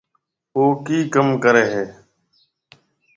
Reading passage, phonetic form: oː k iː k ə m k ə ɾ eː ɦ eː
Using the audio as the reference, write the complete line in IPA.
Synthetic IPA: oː k iː k ə m k ə ɾ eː ɦ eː